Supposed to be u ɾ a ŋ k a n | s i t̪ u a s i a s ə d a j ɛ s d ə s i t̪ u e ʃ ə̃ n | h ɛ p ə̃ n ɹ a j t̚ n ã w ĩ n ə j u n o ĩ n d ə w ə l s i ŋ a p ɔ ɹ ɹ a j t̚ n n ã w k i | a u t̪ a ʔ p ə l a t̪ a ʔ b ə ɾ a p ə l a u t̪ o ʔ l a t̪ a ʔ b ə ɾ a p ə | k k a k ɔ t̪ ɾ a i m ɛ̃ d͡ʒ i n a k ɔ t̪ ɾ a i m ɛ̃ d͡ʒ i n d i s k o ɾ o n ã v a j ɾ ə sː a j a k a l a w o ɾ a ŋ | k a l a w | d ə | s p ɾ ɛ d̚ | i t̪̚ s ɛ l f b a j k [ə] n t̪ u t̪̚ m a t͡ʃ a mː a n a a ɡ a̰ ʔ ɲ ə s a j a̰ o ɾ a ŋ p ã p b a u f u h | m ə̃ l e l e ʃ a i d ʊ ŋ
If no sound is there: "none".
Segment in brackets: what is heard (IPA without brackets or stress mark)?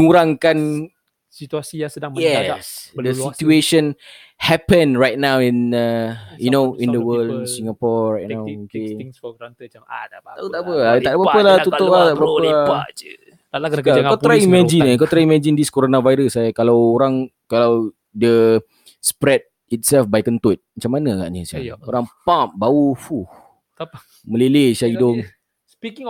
ə